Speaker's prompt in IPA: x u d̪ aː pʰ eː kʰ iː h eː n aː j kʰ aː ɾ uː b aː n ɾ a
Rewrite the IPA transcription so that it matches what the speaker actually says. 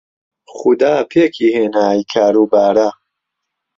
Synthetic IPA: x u d̪ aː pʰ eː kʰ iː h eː n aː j kʰ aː ɾ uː b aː ɾ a